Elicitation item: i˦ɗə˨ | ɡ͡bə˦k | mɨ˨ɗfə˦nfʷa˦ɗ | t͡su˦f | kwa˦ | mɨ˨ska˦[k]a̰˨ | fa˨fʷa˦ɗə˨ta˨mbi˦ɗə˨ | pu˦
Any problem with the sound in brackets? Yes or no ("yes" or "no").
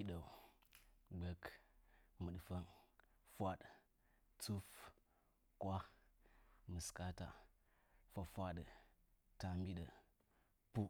yes